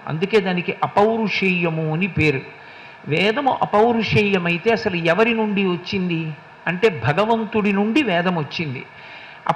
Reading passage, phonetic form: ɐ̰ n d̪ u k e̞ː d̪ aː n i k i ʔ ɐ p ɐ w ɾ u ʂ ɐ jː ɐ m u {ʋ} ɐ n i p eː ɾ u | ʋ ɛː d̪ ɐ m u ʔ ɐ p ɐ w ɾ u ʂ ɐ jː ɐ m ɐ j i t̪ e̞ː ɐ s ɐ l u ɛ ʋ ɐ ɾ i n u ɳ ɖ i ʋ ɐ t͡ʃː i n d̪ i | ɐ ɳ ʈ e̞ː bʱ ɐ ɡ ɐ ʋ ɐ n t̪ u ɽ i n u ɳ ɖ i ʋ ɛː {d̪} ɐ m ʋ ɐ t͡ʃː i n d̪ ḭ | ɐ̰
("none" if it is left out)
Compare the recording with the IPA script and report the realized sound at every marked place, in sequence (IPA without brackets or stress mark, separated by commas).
none, d̪